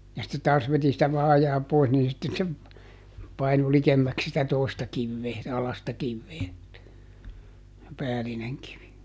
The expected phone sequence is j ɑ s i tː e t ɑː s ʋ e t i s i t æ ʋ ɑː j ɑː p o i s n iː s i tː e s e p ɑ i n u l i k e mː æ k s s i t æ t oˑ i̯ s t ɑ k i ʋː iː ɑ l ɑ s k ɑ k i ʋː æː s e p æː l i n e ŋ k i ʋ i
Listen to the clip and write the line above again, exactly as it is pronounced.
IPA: j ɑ s i tː e t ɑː s ʋ e t i s i t æ ʋ ɑː j ɑː p o i s n iː s i tː e s e p ɑ i n u l i k e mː æ k s s i t æ t oˑ i̯ s t ɑ k i ʋː eː ɑ l ɑ s t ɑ k i ʋː eː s e p æː l i n e ŋ k i ʋ i